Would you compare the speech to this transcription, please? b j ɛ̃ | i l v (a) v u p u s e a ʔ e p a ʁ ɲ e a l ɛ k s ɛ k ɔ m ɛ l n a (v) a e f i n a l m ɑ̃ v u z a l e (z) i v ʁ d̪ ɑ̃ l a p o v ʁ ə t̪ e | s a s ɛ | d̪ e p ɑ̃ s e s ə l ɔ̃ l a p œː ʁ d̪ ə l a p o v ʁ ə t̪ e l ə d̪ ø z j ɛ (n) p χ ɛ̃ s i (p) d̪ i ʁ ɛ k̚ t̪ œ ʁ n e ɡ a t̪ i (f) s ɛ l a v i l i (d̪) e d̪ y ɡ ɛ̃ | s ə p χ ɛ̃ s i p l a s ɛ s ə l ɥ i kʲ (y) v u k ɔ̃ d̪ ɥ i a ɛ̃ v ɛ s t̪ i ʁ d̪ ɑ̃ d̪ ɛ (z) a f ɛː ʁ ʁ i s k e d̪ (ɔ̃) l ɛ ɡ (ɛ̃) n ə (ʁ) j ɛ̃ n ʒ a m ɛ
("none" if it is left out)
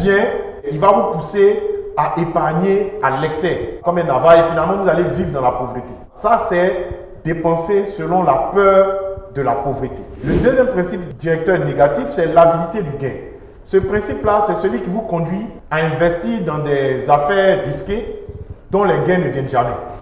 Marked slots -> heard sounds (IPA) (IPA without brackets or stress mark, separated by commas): a, v, v, m, p, f, t̪, i, z, ɔ̃, ɛ̃, v